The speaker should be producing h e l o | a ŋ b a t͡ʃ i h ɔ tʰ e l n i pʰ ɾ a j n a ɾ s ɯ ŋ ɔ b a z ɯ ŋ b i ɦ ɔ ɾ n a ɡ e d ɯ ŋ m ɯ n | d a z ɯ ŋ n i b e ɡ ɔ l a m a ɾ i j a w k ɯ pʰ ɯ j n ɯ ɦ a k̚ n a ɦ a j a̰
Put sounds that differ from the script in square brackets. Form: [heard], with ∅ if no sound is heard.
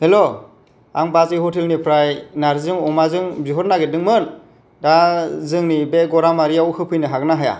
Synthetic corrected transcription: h e l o | a ŋ b a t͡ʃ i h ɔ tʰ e l n i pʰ ɾ a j n a ɾ [z] ɯ ŋ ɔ [m] a z ɯ ŋ b i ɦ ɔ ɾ n a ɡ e d ɯ ŋ m ɯ n | d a z ɯ ŋ n i b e ɡ ɔ [ɾ] a m a ɾ i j a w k ɯ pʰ ɯ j n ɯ ɦ a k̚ n a ɦ a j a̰